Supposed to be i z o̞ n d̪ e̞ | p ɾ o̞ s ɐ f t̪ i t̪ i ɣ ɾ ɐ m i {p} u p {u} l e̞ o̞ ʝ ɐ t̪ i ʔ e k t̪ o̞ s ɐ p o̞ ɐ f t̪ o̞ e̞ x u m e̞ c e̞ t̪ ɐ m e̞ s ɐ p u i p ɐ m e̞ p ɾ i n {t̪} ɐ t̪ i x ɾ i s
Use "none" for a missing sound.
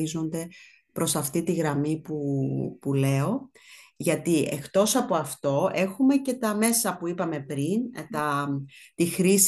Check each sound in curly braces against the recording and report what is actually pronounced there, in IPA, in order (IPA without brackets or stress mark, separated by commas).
p, u, t̪